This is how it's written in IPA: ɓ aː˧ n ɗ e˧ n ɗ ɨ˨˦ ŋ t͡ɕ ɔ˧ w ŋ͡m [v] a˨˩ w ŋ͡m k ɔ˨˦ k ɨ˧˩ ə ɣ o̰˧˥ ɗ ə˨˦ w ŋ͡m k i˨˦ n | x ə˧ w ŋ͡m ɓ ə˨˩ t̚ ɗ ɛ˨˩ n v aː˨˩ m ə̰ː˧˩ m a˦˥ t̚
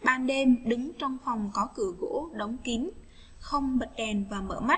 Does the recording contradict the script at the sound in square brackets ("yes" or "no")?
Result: yes